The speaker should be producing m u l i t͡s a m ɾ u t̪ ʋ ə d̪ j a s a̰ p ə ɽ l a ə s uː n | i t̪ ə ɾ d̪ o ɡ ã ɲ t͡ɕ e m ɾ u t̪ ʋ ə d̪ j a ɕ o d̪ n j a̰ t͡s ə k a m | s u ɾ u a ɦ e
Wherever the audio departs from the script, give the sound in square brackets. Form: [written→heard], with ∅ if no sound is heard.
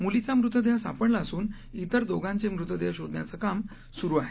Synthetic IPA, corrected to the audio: m u l i t͡s a m ɾ u t̪ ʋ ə d̪ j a s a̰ p ə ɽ l a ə s uː n | i t̪ ə ɾ d̪ o ɡ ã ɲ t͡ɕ e m ɾ u t̪ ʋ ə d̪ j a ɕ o d̪ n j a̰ t͡s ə k a m | s u ɾ u a ɦ e